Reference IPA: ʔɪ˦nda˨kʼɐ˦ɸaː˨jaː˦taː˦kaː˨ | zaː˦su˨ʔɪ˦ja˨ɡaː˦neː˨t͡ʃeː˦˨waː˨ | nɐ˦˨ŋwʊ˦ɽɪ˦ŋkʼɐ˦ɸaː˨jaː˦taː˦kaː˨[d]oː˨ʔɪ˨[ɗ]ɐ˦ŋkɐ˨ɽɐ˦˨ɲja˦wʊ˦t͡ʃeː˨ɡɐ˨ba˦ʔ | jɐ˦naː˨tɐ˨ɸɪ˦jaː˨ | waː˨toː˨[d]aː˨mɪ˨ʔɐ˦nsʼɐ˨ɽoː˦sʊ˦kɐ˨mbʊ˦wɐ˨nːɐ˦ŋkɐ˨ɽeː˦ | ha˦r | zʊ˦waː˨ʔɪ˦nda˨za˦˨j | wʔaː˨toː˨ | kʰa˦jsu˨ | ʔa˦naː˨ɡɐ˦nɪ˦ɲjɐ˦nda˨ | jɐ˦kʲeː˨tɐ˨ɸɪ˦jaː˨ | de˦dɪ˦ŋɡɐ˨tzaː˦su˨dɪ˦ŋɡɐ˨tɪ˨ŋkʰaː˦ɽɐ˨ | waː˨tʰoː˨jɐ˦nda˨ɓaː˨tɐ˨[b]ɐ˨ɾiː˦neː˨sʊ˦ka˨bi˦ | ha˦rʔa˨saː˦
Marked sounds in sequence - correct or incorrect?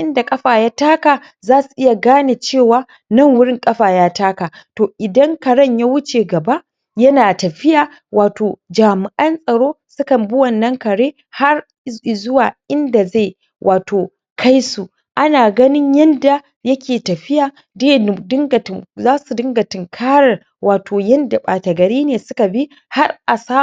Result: incorrect, incorrect, incorrect, incorrect

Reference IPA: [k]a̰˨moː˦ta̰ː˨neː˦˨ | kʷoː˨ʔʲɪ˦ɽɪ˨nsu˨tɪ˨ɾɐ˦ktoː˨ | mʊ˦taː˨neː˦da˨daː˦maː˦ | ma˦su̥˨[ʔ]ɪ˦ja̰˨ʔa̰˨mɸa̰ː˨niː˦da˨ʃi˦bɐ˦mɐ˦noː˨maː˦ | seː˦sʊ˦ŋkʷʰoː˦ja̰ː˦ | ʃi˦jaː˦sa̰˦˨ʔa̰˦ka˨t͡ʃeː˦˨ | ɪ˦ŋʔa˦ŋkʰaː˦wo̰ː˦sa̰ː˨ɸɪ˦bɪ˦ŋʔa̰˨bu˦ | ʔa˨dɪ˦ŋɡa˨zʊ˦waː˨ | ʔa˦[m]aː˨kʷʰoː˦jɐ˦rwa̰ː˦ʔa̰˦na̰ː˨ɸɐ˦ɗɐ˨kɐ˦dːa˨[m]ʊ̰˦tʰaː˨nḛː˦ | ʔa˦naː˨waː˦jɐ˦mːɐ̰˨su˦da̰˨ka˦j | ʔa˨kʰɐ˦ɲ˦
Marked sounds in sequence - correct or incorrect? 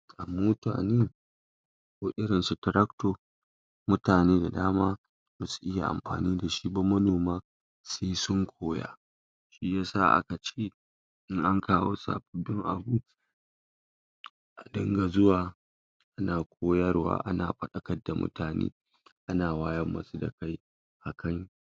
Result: incorrect, correct, incorrect, correct

